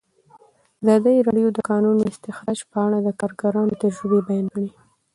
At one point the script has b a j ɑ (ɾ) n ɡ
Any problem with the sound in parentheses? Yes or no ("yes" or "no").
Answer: yes